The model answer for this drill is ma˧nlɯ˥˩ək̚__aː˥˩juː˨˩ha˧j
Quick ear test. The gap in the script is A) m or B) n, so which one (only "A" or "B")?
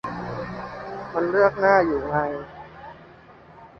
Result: B